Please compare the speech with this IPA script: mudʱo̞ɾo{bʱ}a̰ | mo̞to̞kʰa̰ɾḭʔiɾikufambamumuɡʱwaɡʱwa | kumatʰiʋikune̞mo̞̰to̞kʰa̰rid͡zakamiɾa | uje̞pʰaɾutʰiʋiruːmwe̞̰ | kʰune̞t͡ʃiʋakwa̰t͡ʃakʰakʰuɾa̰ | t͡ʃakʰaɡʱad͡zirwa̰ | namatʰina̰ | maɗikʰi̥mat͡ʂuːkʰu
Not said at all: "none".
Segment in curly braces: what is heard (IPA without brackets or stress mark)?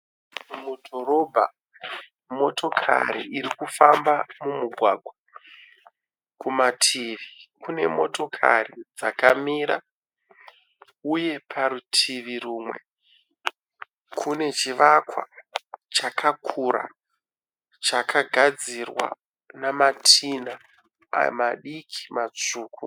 bʱ